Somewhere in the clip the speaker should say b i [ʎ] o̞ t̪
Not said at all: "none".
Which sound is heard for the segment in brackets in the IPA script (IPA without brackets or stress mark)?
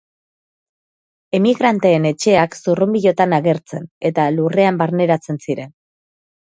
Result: ʎ